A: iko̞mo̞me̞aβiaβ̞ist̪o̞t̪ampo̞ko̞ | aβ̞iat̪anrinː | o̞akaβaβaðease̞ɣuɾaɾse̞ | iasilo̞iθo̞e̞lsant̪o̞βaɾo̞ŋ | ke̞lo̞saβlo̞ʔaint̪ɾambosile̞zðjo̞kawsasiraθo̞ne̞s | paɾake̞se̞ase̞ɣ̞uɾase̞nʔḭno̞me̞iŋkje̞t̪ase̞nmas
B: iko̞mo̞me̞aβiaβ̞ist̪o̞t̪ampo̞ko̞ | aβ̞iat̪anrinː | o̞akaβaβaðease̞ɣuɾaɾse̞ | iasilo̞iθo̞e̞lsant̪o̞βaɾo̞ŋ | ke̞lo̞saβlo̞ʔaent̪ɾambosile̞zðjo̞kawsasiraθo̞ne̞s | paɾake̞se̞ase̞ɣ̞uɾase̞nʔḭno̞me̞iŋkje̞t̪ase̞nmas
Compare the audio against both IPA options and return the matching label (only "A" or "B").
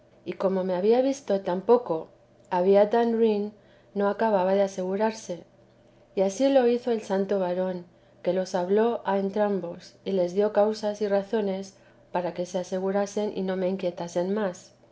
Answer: B